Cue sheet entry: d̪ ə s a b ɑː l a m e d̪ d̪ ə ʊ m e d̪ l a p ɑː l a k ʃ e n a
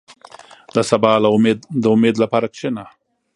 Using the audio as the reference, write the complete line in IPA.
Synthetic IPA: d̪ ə s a b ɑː l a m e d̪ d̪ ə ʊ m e d̪ l a p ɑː ɾ a k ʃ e n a